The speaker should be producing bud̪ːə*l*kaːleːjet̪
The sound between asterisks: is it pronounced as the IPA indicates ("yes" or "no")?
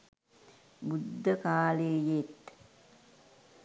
no